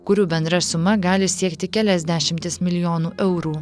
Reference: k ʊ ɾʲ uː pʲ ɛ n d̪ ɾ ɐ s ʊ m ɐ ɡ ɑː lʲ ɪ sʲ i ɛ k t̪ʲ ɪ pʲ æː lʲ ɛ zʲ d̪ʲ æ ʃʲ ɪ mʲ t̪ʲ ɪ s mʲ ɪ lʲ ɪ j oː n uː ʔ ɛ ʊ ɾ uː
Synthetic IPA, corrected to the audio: k ʊ ɾʲ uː bʲ ɛ n d̪ ɾ ɐ s ʊ m ɐ ɡ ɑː lʲ ɪ sʲ i ɛ k t̪ʲ ɪ kʲ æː lʲ ɛ zʲ d̪ʲ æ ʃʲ ɪ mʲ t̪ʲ ɪ s mʲ ɪ lʲ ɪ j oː n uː ʔ ɛ ʊ ɾ uː

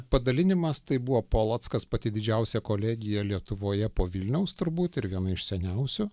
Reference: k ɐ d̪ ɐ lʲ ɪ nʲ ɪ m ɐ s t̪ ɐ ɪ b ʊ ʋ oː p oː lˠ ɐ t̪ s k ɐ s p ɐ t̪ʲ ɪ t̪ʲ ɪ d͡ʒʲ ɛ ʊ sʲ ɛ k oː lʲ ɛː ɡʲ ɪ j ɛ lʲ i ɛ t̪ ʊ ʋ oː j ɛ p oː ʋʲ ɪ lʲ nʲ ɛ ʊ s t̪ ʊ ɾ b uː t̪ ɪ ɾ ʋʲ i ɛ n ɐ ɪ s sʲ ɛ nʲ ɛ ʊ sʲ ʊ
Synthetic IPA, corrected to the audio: p ɐ d̪ ɐ lʲ ɪ nʲ ɪ m ɐ s t̪ ɐ ɪ b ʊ ʋ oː p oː lˠ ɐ t̪ s k ɐ s p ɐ t̪ʲ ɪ d̪ʲ ɪ d͡ʒʲ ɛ ʊ sʲ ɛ k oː lʲ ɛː ɡʲ ɪ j ɛ lʲ i ɛ t̪ ʊ ʋ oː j ɛ p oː ʋʲ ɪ lʲ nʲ ɛ ʊ s t̪ ʊ ɾ b uː t̪ ɪ ɾ ʋʲ i ɛ n ɐ ɪ ʃ sʲ ɛ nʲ ɛ ʊ sʲ ʊ

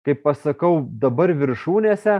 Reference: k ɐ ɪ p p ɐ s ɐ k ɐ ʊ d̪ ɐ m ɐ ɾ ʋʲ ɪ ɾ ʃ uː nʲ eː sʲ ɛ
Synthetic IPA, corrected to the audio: k ɐ ɪ p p ɐ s ɐ k ɐ ʊ d̪ ɐ b ɐ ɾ ʋʲ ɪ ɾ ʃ uː nʲ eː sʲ ɛ

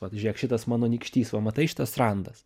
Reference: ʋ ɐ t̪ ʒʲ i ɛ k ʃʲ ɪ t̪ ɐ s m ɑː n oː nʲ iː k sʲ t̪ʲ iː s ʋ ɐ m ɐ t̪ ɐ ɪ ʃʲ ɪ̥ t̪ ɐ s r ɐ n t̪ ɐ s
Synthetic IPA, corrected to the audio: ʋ ɐ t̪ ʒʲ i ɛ k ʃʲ ɪ t̪ ɐ s m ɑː n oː nʲ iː k ʃʲ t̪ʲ iː s ʋ ɐ m ɐ t̪ ɐ ɪ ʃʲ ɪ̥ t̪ ɐ s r ɐ n d̪ ɐ s

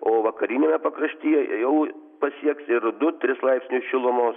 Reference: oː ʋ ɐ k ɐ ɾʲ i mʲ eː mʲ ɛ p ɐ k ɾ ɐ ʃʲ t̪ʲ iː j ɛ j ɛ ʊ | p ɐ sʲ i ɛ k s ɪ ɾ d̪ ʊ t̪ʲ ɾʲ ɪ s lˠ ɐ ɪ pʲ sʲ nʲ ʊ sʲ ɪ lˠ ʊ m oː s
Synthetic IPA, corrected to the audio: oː ʋ ɐ k ɐ ɾʲ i nʲ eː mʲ ɛ p ɐ k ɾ ɐ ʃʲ t̪ʲ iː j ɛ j ɛ ʊ | p ɐ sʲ i ɛ k s ɪ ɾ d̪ ʊ t̪ʲ ɾʲ ɪ s lˠ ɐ ɪ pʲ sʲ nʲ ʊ ʃʲ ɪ lˠ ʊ m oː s

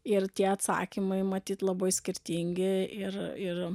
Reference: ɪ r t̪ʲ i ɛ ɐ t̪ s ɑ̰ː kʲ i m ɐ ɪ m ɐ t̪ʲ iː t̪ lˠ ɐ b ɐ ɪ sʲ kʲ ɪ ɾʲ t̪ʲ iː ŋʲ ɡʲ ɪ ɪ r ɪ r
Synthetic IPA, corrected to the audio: ɪ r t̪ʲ i ɛ ɐ t̪ s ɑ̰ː kʲ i m ɐ ɪ m ɐ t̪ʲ iː t̪ lˠ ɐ b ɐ ɪ sʲ kʲ ɪ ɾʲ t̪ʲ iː ŋʲ ɡʲ ɪ ɪ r ɪ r

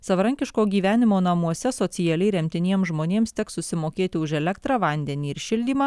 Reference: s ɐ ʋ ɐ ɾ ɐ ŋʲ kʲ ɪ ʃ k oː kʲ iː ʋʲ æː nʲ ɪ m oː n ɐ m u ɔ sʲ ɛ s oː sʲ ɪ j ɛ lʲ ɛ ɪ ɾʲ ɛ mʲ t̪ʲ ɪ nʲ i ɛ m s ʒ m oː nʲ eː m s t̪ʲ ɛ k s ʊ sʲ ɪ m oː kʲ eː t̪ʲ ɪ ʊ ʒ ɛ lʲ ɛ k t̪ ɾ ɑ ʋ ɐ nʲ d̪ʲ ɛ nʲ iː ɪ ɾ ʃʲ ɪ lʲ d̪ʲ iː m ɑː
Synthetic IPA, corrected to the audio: s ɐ ʋ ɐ ɾ ɐ ŋʲ kʲ ɪ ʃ k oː ɡʲ iː ʋʲ æː nʲ ɪ m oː n ɐ m u ɔ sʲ ɛ s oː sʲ ɪ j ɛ lʲ ɛ ɪ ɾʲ ɛ mʲ t̪ʲ ɪ nʲ i ɛ m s ʒ m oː nʲ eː m s t̪ʲ ɛ k s ʊ sʲ ɪ m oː kʲ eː t̪ʲ ɪ ʊ ʒ ɛ lʲ ɛ k t̪ ɾ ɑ ʋ ɐ nʲ d̪ʲ ɛ nʲ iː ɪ ɾ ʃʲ ɪ lʲ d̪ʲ iː m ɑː

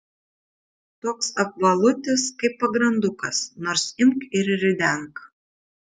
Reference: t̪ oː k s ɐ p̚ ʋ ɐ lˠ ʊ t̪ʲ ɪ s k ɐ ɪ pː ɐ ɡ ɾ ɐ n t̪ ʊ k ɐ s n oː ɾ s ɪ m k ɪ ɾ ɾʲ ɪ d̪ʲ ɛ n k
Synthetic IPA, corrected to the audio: t̪ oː k s ɐ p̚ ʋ ɐ lˠ ʊ t̪ʲ ɪ s k ɐ ɪ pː ɐ ɡ ɾ ɐ n d̪ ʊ k ɐ s n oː ɾ s ɪ m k ɪ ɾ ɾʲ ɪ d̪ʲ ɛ ŋ k

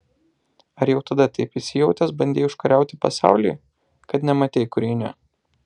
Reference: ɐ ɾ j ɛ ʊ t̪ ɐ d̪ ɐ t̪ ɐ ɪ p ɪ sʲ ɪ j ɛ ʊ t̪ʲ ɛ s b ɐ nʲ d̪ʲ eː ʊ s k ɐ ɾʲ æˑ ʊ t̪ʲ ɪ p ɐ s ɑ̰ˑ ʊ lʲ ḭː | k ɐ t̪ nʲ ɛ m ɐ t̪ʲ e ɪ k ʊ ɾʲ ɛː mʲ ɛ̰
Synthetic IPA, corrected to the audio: ɐ ɾ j ɛ ʊ t̪ ɐ d̪ ɐ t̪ ɐ ɪ p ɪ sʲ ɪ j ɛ ʊ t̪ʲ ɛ s b ɐ nʲ d̪ʲ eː ʊ ʃ k ɐ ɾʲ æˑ ʊ t̪ʲ ɪ p ɐ s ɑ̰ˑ ʊ lʲ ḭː | k ɐ t̪ nʲ ɛ m ɐ t̪ʲ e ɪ k ʊ ɾʲ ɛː nʲ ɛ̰

